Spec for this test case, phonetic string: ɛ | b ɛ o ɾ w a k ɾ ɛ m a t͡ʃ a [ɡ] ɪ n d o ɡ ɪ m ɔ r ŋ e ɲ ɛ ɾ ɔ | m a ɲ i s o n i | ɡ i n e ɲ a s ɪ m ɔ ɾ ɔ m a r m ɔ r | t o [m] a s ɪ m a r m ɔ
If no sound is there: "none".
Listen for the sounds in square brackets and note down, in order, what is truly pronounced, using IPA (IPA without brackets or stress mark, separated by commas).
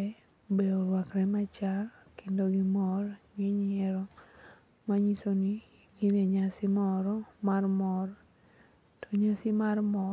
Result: k, ɲ